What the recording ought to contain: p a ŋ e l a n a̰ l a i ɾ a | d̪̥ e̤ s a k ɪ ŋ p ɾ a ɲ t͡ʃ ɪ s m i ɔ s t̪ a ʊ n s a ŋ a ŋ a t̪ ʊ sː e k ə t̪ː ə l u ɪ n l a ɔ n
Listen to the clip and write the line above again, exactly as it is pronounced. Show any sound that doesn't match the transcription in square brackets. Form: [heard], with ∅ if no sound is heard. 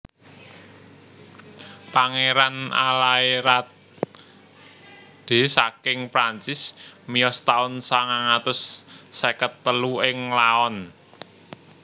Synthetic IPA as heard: p a ŋ e [ɾ] a n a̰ l a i ɾ a | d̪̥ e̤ s a k ɪ ŋ p ɾ a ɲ t͡ʃ ɪ s m i ɔ s t̪ a ʊ n s a ŋ a ŋ a t̪ ʊ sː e k ə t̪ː ə l u ɪ [ŋ] l a ɔ n